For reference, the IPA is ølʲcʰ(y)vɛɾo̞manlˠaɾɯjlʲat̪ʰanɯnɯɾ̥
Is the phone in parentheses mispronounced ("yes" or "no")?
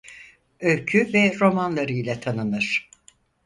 no